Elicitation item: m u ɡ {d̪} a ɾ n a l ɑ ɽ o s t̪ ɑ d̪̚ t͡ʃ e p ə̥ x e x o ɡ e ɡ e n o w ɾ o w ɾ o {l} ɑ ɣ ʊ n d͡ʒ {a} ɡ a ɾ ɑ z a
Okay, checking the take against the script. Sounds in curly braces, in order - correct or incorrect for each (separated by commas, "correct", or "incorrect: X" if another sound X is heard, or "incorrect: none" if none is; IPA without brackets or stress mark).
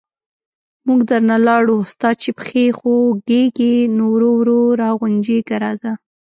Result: correct, incorrect: ɾ, incorrect: e